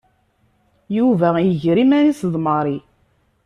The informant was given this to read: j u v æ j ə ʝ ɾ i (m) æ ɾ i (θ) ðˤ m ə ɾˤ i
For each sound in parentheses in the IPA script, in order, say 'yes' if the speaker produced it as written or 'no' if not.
yes, no

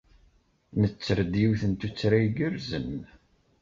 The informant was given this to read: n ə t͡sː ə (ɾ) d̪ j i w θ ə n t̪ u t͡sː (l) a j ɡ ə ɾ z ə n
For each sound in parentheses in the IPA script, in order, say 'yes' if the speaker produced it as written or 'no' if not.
yes, no

